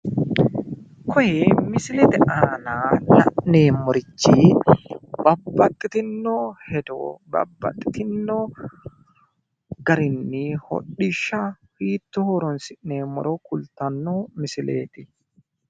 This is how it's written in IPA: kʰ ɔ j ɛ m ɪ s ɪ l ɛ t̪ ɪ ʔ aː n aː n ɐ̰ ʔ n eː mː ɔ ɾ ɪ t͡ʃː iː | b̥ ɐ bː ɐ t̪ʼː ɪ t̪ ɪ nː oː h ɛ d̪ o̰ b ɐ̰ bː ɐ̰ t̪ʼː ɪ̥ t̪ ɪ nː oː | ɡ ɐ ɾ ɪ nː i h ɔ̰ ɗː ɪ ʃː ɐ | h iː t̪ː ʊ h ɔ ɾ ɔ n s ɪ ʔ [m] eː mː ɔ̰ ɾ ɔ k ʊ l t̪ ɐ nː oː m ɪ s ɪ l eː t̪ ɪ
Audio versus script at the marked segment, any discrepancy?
yes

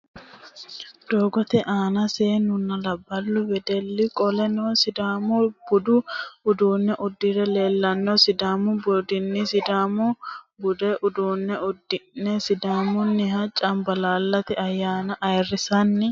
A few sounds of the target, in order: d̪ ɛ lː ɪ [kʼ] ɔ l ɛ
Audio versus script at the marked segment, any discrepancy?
no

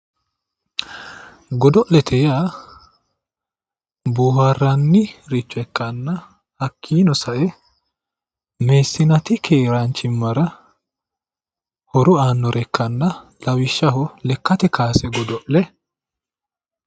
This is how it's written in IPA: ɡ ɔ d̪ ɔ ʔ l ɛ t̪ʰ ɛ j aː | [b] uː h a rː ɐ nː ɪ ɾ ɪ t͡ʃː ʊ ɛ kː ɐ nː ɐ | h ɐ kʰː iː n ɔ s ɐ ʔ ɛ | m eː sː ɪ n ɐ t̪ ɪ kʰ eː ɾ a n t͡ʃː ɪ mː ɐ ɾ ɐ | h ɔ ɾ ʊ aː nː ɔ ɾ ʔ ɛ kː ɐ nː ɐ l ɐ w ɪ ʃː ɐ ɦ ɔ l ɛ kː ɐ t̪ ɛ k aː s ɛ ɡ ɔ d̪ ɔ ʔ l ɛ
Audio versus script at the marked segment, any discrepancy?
no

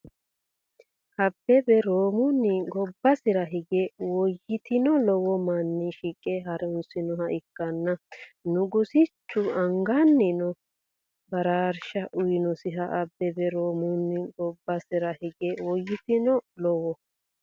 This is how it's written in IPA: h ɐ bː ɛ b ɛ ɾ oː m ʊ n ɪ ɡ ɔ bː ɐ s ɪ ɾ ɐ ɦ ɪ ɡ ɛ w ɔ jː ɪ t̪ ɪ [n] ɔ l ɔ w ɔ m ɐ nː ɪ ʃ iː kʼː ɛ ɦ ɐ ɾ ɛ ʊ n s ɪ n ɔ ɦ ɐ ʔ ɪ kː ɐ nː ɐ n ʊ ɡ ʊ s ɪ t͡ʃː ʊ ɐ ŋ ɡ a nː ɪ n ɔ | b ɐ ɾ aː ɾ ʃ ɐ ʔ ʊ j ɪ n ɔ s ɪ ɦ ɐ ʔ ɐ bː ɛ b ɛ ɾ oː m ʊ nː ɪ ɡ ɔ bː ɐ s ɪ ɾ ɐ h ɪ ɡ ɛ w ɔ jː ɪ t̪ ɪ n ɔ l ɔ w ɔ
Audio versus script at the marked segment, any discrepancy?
no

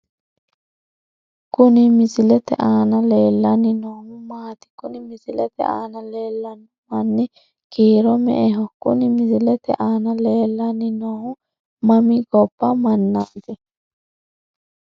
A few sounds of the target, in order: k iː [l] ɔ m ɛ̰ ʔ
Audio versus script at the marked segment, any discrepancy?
yes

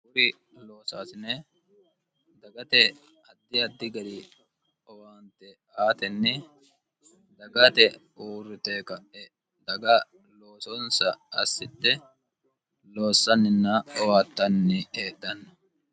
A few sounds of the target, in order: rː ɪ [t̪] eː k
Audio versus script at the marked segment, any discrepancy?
no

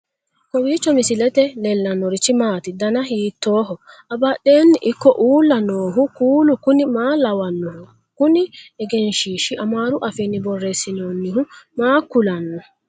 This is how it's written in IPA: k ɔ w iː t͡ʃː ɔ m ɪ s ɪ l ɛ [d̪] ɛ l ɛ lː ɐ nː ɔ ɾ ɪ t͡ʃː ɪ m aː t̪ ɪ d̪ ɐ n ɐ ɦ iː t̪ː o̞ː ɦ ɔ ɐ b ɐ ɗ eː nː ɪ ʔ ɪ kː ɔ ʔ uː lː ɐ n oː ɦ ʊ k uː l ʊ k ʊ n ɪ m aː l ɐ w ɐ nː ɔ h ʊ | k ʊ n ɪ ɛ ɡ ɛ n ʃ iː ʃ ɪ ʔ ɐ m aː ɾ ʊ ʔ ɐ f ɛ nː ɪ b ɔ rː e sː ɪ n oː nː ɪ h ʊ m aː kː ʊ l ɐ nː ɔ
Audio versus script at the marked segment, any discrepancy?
yes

